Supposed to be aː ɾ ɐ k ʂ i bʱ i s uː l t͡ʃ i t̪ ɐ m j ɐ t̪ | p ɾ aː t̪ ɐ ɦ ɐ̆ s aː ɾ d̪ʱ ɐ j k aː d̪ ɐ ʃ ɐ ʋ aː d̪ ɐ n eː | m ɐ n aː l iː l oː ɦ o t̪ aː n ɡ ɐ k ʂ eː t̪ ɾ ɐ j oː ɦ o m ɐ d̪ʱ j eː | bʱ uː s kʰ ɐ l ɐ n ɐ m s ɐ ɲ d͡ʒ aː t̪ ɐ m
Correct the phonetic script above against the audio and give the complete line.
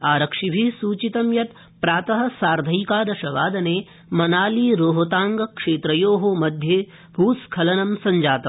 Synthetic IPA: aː ɾ ɐ k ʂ i bʱ i s uː t͡ʃ i t̪ ɐ m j ɐ t̪ | p ɾ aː t̪ ɐ ɦ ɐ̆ s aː ɾ d̪ʱ ɐ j k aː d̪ ɐ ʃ ɐ ʋ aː d̪ ɐ n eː | m ɐ n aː l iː ɾ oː ɦ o t̪ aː ŋ ɡ ɐ k ʂ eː t̪ ɾ ɐ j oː ɦ o m ɐ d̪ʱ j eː | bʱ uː s kʰ ɐ l ɐ n ɐ m s ɐ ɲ d͡ʒ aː t̪ ɐ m

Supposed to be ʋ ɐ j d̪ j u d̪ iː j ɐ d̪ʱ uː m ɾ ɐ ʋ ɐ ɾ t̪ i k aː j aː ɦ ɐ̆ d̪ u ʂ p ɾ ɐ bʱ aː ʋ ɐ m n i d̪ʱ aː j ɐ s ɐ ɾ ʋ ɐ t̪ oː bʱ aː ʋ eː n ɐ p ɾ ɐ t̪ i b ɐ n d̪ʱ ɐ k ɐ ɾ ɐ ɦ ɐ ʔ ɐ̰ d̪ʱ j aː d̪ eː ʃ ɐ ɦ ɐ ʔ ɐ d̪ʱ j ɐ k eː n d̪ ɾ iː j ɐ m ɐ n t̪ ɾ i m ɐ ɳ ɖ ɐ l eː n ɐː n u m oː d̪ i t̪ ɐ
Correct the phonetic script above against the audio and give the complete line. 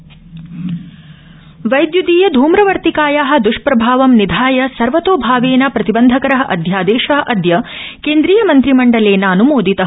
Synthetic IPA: ʋ ɐ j d̪ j u d̪ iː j ɐ d̪ʱ uː m ɾ ɐ ʋ ɐ ɾ t̪ i k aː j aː ɦ ɐ̆ d̪ u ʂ p ɾ ɐ bʱ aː ʋ ɐ m n i d̪ʱ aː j ɐ s ɐ ɾ ʋ ɐ t̪ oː bʱ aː ʋ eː n ɐ p ɾ ɐ t̪ i b ɐ n d̪ʱ ɐ k ɐ ɾ ɐ ɦ ɐ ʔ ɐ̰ d̪ʱ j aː d̪ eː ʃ ɐ ɦ ɐ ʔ ɐ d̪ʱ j ɐ k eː n d̪ ɾ iː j ɐ m ɐ n t̪ ɾ i m ɐ ɳ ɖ ɐ l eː n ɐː n u m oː d̪ i t̪ ɐ

